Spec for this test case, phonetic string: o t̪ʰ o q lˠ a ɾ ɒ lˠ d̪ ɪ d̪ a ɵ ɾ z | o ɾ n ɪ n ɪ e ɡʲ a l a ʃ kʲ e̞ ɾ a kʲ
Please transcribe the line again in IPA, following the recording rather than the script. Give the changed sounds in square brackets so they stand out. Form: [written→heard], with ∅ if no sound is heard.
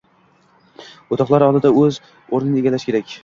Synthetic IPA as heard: o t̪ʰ [o→ɒ] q lˠ a ɾ ɒ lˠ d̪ ɪ d̪ a ɵ [ɾ→∅] z | o ɾ n ɪ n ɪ e ɡʲ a l a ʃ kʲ e̞ ɾ a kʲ